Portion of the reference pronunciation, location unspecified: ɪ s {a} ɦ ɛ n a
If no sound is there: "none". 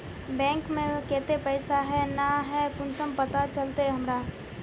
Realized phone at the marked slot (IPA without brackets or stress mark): a